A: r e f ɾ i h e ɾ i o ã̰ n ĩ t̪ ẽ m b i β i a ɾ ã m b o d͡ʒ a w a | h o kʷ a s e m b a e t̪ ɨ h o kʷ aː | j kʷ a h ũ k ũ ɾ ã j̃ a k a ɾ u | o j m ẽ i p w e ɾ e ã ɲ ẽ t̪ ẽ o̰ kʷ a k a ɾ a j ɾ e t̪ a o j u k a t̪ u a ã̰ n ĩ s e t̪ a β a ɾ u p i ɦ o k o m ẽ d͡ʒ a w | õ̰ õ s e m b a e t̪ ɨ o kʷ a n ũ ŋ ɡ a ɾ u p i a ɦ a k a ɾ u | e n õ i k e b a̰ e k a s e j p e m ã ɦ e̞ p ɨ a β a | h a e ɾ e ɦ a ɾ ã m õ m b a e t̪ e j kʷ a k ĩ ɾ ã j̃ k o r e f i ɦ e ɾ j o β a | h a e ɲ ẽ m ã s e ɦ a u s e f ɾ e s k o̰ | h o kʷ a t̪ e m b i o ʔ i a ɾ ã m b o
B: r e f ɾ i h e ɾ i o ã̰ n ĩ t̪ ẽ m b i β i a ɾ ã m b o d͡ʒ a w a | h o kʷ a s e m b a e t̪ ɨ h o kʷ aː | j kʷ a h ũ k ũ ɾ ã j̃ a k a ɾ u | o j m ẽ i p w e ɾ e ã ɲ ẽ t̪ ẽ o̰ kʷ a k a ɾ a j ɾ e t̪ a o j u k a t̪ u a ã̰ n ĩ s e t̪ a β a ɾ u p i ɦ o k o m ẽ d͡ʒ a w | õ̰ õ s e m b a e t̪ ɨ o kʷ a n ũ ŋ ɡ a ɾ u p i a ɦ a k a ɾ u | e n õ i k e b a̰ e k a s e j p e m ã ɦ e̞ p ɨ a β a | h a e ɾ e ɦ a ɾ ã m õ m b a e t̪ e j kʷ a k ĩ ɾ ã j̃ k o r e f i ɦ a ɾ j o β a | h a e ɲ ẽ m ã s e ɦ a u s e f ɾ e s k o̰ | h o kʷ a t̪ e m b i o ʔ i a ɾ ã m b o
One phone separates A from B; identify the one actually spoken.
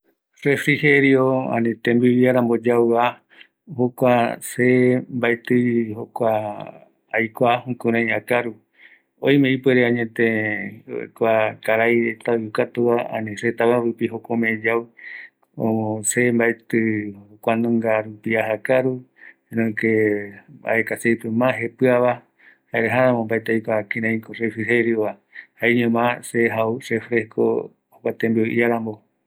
A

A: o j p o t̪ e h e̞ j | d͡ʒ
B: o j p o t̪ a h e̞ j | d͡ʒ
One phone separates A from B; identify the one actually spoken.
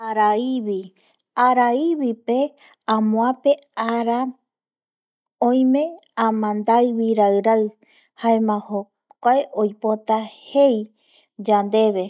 B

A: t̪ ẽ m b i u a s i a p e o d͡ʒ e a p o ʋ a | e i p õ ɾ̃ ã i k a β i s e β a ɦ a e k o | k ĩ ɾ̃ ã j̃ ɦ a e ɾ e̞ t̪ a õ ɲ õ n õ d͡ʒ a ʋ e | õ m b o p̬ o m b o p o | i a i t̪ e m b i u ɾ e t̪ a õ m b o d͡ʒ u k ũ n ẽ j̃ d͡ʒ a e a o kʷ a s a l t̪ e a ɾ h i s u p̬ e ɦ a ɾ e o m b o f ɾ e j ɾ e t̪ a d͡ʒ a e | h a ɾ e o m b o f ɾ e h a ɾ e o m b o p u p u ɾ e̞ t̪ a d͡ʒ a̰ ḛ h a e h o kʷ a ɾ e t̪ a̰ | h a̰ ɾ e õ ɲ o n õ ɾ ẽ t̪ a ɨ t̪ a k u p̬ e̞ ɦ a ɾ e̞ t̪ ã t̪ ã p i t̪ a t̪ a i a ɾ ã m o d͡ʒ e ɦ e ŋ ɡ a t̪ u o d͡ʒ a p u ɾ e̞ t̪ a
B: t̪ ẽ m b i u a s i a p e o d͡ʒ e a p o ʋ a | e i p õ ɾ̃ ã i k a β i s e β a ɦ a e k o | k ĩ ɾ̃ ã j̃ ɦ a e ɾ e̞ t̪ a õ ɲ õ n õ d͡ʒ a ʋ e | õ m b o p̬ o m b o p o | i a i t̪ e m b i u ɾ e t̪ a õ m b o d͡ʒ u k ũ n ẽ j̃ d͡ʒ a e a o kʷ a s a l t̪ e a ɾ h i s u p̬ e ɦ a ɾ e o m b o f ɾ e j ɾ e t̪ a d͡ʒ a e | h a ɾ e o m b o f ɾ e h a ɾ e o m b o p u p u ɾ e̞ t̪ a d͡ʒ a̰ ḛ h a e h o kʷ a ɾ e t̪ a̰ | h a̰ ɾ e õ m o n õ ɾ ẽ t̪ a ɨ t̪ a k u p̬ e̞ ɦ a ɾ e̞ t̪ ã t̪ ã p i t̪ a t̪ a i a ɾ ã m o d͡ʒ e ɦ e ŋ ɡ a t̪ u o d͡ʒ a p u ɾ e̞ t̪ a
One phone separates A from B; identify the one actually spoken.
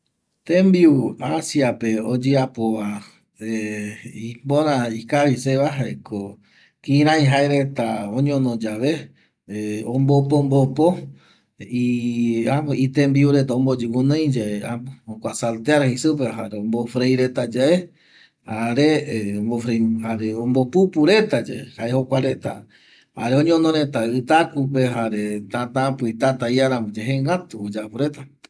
A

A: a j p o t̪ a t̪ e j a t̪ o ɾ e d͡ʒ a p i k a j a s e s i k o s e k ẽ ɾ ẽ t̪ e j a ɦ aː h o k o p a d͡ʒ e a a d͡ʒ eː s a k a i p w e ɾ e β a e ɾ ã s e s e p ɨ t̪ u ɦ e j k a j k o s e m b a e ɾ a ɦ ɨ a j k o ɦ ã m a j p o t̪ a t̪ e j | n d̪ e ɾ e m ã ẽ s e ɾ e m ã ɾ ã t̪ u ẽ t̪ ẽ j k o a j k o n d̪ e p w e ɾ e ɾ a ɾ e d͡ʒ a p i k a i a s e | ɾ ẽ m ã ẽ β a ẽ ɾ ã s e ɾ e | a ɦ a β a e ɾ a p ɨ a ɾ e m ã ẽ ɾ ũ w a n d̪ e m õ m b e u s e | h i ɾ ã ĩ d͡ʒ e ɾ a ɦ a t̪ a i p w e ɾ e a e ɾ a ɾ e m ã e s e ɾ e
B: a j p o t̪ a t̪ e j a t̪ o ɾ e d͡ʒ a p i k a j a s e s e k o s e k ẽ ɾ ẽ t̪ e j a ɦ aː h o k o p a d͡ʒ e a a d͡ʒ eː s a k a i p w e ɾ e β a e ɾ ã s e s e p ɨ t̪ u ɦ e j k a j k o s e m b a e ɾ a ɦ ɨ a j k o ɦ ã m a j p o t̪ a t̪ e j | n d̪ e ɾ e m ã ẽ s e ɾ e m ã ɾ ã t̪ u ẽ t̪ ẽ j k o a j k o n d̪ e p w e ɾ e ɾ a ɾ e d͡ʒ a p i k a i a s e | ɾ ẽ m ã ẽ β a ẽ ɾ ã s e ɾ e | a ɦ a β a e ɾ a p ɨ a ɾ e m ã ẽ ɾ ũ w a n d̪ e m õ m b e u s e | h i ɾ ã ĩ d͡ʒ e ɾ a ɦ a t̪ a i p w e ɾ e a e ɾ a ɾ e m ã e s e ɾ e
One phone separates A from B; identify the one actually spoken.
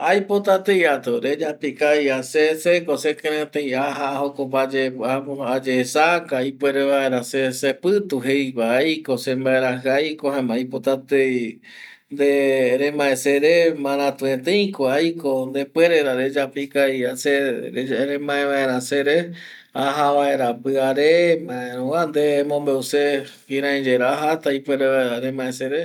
B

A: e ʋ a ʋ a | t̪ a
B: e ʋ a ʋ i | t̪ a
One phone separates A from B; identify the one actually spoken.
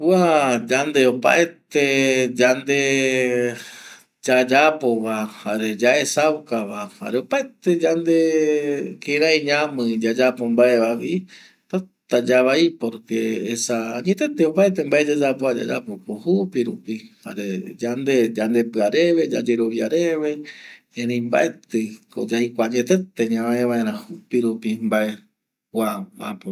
B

